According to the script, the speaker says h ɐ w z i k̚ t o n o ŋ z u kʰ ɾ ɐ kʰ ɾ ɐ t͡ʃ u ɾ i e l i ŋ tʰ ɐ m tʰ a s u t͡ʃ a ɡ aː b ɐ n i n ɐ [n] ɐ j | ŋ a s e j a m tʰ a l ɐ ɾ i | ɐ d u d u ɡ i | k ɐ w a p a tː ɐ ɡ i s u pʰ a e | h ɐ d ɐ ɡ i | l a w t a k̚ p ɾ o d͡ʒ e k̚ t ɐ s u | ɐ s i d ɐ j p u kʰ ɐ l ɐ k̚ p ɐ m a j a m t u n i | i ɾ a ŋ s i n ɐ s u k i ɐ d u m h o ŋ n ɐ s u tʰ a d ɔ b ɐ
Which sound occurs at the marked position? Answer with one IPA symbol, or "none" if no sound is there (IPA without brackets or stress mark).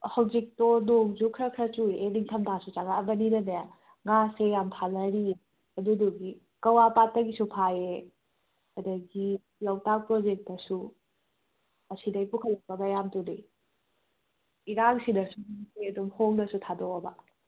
n